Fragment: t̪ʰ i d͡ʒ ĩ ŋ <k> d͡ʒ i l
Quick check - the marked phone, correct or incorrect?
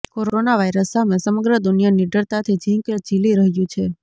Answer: correct